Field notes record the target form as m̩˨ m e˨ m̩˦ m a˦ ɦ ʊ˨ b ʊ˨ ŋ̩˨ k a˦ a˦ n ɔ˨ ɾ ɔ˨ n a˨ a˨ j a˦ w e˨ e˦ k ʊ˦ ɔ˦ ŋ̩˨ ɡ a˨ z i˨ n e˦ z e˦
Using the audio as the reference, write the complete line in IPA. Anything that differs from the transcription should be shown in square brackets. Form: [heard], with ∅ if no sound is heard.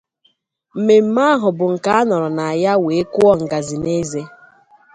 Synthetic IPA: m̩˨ m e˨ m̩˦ m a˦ ɦ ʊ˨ b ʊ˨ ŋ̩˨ k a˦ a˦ n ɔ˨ ɾ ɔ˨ n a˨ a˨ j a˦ w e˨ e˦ k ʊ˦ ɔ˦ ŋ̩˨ ɡ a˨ z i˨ n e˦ z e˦